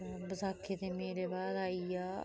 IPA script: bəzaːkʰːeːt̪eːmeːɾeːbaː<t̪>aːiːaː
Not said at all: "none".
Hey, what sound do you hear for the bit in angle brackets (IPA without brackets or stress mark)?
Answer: d̪